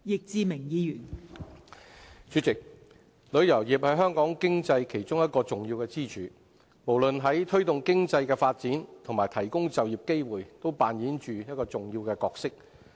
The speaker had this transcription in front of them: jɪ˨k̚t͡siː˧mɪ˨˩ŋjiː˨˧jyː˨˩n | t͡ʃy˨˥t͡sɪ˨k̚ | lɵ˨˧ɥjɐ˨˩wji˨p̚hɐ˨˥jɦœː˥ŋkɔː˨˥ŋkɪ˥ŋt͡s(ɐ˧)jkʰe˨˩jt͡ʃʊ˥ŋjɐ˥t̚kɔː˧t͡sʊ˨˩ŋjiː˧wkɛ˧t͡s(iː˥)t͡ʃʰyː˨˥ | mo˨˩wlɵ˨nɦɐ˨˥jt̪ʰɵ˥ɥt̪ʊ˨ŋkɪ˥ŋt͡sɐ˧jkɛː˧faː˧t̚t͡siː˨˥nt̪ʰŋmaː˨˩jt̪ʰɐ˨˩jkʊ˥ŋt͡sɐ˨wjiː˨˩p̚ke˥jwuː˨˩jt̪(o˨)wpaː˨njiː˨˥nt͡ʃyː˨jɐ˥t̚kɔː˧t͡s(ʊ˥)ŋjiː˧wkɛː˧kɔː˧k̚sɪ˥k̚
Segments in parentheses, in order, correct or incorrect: correct, correct, incorrect: o˥, incorrect: ʊ˨

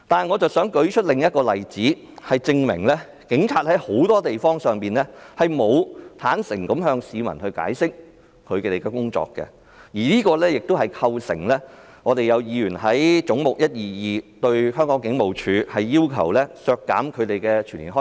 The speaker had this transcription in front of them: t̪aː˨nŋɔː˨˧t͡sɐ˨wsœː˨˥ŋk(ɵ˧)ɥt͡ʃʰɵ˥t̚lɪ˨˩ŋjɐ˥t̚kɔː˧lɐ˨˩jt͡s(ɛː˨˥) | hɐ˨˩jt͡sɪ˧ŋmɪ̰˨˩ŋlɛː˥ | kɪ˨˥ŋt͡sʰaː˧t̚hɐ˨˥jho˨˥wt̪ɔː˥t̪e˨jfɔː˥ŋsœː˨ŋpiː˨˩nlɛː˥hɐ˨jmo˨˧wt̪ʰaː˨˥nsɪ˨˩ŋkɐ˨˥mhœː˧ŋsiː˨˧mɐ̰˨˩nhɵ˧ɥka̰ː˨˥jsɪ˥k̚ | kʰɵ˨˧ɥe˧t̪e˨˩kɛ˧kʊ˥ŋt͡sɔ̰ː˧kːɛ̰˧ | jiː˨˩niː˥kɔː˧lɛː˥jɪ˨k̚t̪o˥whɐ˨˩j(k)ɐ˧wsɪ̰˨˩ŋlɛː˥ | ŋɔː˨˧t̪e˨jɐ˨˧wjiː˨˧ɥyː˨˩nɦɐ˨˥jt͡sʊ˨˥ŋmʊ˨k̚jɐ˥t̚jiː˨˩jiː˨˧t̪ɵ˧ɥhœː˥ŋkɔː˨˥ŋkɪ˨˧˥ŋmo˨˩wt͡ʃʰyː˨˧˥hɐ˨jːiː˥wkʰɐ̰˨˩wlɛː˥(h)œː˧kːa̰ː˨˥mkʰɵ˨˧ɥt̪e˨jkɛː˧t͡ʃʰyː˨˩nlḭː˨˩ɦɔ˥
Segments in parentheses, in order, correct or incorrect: incorrect: ɵ˨˥, incorrect: iː˨˥, incorrect: kʰ, incorrect: s

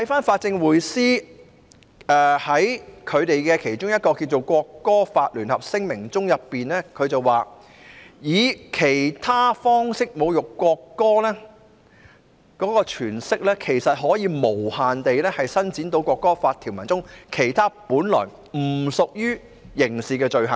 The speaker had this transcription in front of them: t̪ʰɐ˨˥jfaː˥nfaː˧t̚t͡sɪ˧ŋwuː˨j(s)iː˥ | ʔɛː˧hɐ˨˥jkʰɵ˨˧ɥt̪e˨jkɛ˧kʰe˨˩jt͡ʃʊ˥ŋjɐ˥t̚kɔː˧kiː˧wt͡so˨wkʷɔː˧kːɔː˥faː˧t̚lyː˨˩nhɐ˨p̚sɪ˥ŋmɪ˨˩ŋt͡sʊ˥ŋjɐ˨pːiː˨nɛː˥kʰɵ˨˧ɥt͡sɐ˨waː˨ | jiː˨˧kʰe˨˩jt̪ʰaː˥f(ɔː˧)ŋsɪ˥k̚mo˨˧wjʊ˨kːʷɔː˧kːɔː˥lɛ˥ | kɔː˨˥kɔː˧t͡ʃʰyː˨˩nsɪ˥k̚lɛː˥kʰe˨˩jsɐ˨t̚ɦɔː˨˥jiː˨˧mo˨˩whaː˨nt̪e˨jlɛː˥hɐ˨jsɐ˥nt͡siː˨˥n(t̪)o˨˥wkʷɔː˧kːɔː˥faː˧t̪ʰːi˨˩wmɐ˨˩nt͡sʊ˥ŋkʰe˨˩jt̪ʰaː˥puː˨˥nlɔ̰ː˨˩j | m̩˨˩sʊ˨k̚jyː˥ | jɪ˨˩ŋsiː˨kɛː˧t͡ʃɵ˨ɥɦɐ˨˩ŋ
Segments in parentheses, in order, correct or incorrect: correct, incorrect: ɔː˥, correct

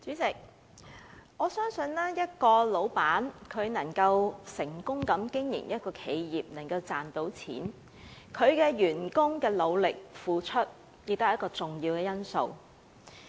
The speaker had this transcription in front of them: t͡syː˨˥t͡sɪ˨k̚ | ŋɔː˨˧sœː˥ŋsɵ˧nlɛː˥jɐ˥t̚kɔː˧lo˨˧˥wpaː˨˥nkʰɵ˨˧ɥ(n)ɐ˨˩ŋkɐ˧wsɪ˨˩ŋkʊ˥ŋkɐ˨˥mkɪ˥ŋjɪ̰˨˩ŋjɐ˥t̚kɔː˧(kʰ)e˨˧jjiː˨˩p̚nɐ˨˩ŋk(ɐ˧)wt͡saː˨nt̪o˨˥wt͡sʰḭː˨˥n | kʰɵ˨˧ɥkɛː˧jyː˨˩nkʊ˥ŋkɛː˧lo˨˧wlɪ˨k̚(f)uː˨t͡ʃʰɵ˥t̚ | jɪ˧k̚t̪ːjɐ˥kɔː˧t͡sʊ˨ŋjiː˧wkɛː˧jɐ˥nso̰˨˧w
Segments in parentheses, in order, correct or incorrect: correct, correct, correct, correct

